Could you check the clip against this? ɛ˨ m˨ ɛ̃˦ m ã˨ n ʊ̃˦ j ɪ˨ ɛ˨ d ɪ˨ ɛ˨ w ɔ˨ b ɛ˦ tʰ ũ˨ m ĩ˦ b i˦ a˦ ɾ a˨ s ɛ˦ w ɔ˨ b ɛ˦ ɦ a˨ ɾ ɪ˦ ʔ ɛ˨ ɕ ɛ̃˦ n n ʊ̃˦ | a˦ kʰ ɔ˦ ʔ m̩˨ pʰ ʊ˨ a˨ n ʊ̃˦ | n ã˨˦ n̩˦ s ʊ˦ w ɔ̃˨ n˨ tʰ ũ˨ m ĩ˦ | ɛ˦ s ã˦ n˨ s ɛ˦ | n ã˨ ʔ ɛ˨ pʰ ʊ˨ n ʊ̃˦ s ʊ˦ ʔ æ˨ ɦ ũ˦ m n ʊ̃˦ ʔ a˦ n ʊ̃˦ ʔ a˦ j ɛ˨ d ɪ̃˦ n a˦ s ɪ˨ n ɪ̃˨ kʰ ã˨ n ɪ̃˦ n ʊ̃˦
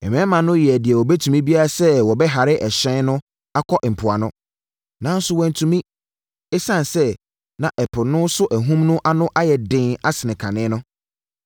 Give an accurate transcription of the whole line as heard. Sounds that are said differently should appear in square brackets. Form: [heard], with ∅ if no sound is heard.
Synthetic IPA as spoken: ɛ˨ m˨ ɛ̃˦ m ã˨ n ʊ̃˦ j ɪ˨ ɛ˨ d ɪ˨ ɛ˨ w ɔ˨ b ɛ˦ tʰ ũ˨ m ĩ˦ b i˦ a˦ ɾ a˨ s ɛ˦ w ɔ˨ b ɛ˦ ɦ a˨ ɾ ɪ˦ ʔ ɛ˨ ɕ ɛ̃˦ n n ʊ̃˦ | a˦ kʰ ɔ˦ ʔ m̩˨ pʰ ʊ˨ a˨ n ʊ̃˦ | n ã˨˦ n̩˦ s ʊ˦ w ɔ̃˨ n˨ tʰ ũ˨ m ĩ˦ | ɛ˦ s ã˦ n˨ s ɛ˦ | n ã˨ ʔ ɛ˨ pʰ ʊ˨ n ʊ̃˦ s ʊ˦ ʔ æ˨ ɦ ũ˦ m n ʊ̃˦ ʔ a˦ n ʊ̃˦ ʔ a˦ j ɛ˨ d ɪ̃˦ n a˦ s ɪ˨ n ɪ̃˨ kʰ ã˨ n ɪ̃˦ n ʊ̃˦

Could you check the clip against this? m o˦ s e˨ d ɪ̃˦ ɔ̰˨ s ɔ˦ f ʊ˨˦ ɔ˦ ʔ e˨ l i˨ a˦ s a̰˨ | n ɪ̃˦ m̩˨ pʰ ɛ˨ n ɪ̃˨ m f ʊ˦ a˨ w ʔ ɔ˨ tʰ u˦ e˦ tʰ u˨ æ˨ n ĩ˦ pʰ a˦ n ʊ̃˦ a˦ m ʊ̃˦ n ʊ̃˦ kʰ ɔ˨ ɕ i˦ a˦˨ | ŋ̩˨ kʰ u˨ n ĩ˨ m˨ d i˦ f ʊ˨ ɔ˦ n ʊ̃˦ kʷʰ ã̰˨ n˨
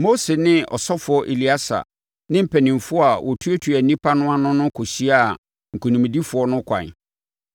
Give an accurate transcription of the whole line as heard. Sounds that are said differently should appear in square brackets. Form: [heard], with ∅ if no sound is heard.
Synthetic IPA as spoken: m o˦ s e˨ [n] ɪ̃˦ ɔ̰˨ s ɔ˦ f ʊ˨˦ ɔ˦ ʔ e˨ l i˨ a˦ s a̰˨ | n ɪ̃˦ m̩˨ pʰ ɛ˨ n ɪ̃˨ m f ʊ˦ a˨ w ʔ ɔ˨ tʰ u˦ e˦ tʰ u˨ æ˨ n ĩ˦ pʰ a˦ n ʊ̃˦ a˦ [n] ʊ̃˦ n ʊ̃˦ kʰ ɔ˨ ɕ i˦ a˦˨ | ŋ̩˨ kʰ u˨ n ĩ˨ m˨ d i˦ f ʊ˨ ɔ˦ n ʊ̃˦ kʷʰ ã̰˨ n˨

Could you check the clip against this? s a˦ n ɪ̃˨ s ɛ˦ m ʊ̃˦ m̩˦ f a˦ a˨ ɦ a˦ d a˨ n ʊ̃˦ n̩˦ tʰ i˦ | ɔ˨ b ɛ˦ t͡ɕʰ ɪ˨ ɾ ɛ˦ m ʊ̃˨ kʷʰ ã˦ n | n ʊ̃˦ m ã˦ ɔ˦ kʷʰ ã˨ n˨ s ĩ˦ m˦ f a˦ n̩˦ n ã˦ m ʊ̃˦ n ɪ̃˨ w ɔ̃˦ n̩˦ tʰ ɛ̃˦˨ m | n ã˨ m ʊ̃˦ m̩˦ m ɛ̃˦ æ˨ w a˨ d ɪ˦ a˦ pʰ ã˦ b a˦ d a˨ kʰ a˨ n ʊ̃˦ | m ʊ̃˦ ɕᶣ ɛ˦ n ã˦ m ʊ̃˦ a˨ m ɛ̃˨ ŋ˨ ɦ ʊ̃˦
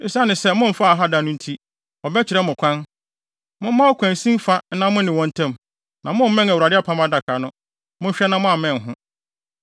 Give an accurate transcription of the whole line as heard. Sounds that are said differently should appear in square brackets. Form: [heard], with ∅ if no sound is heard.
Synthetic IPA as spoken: s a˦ n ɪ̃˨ s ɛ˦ m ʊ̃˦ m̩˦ f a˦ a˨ ɦ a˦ d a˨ n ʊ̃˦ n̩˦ tʰ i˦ | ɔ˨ b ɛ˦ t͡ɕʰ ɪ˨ ɾ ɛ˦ m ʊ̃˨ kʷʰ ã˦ n | [m] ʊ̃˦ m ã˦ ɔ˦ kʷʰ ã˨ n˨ s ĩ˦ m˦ f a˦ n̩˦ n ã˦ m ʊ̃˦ n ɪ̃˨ w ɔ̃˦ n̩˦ tʰ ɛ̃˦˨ m | n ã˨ m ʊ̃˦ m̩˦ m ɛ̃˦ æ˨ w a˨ d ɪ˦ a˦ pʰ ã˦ [m] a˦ d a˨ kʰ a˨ n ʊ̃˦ | m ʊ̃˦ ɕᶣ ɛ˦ n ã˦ m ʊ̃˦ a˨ m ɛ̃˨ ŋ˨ ɦ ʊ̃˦

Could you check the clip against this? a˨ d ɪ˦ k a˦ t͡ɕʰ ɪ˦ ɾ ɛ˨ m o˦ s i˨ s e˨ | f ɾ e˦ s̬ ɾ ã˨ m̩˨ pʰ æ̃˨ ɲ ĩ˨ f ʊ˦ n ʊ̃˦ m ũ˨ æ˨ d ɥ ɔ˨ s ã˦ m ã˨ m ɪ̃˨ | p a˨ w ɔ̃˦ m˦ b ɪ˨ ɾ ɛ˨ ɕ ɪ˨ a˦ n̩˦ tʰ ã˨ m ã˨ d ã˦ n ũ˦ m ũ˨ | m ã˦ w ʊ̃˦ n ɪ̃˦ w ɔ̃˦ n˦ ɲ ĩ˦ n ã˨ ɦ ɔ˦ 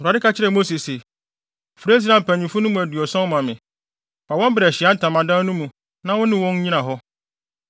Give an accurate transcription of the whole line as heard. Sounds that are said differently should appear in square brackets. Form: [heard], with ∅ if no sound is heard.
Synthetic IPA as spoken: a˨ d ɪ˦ k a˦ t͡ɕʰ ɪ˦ ɾ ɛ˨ m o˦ s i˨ s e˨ | f ɾ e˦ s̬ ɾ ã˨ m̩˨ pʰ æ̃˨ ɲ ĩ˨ f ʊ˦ n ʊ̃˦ m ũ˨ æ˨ d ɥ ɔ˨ s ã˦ m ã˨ m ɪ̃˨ | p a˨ w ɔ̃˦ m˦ b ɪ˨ ɾ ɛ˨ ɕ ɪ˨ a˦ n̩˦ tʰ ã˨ m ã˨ d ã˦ n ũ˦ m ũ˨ | [n] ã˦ w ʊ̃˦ n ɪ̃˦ w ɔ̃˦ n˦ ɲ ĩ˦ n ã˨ ɦ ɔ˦

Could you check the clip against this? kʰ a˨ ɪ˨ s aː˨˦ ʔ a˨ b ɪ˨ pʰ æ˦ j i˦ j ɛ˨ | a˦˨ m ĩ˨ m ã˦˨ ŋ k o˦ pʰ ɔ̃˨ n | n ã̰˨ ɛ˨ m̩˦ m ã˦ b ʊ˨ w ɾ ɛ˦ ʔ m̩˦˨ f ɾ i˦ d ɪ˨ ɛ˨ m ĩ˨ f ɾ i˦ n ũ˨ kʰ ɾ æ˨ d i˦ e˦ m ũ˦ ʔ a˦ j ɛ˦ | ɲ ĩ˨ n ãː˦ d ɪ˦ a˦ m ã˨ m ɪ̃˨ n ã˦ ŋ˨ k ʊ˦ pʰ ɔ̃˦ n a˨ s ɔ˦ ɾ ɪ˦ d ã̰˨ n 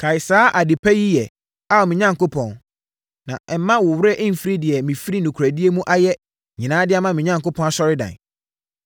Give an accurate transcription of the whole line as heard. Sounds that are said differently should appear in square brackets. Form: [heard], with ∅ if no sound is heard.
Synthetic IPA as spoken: kʰ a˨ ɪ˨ s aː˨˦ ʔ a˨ [d] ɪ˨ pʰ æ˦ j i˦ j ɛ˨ | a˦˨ m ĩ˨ [ɲ] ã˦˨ ŋ k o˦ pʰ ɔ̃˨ n | n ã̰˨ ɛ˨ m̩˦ m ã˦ [w] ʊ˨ w ɾ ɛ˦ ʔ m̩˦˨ f ɾ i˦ d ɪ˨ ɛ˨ m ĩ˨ f ɾ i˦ n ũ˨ kʰ ɾ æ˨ d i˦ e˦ m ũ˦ ʔ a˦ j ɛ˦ | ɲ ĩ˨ n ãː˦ d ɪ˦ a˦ m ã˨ m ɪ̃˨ [ɲ] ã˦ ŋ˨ k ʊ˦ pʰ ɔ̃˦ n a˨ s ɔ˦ ɾ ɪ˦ d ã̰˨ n

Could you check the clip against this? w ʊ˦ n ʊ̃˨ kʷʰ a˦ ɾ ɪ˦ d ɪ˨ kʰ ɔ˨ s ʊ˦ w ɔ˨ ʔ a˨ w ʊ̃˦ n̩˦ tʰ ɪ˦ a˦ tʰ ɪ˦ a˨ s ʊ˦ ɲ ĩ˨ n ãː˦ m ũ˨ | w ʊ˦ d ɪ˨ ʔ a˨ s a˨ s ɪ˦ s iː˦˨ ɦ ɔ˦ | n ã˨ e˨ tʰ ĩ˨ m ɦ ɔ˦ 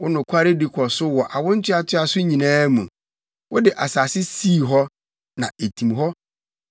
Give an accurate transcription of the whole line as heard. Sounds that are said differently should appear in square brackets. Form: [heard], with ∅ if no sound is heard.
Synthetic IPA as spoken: w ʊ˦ n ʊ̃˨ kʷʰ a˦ ɾ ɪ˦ d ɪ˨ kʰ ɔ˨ s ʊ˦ w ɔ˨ ʔ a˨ w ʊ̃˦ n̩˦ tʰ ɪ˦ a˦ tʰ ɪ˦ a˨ s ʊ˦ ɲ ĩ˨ n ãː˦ m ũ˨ | w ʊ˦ d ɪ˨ ʔ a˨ s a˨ s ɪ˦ s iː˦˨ ɦ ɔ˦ | n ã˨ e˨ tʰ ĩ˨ m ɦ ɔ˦

